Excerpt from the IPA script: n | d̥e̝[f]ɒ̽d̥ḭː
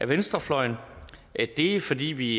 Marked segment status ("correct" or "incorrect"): correct